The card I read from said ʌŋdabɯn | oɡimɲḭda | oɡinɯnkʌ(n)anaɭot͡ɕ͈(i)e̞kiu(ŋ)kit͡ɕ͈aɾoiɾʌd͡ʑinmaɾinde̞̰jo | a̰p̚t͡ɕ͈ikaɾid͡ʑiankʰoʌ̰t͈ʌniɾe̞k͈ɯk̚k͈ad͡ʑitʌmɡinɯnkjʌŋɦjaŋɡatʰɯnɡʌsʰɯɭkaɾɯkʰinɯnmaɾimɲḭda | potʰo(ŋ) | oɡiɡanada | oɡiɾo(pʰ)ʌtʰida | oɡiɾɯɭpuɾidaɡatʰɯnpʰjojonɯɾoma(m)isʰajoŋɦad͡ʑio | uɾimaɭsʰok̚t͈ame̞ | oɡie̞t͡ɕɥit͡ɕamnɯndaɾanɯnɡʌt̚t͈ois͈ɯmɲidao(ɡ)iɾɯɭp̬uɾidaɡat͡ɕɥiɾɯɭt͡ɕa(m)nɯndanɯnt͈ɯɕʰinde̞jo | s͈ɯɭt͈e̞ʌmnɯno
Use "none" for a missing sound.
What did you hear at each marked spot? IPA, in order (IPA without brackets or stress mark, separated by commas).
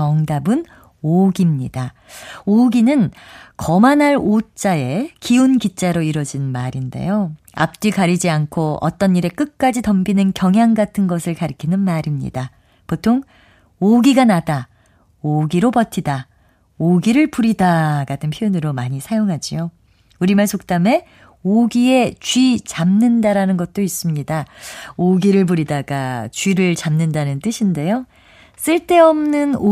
m, a, n, ŋ, p, ɲ, ɡ, m